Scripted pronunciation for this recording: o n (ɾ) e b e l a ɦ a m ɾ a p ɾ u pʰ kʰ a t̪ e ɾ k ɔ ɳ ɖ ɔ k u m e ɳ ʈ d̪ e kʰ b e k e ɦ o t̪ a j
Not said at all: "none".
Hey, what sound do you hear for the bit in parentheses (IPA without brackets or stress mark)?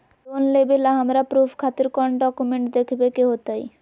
l